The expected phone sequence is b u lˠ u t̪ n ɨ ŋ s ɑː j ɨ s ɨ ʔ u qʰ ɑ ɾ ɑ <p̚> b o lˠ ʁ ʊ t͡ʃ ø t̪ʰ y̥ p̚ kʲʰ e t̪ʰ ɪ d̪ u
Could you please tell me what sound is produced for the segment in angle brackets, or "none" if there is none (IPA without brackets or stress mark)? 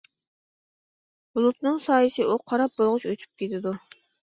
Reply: p̚